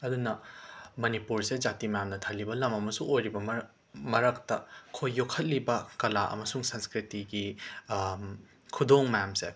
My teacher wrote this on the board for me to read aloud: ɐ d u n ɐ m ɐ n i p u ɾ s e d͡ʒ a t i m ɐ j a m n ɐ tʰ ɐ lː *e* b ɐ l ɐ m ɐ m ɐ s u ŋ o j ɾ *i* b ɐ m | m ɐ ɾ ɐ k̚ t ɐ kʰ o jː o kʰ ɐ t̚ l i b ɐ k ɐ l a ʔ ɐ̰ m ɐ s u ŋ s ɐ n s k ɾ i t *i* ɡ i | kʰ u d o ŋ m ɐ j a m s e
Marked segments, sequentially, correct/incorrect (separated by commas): incorrect, correct, correct